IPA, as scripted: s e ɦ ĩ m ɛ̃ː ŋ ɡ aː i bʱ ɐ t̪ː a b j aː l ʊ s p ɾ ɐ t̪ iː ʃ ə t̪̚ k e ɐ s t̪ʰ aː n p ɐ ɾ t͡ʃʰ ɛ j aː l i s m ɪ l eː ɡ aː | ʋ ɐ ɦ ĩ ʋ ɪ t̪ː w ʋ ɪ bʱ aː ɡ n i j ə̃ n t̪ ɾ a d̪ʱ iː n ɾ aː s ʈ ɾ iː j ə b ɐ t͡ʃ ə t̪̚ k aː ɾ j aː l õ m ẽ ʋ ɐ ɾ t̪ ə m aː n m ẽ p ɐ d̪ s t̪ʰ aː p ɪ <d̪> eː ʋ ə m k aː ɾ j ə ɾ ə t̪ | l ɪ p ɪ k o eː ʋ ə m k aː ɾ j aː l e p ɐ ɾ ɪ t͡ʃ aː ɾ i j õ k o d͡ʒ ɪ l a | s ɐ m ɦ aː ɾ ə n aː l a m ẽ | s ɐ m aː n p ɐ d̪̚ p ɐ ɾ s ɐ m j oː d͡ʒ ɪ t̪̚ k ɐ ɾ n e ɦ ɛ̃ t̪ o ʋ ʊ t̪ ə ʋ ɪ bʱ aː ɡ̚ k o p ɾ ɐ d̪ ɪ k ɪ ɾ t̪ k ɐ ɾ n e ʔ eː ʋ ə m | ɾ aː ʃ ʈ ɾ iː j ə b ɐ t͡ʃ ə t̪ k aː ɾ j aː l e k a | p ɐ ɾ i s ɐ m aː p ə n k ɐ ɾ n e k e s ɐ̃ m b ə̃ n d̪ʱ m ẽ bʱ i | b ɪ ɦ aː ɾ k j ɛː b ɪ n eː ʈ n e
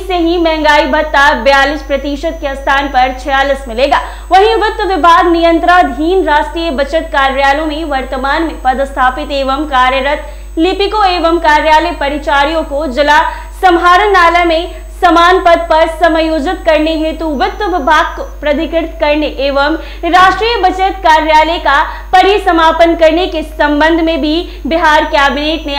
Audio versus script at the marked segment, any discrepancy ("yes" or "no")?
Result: yes